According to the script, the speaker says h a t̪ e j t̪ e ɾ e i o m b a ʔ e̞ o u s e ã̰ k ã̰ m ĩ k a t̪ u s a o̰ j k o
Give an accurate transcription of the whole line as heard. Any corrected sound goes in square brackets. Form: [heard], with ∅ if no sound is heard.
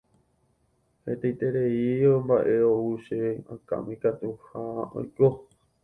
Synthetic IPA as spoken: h [e] t̪ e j t̪ e ɾ e i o m b a ʔ e̞ o u [ʃ] e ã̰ k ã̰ m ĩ k a t̪ u [h] a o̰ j k o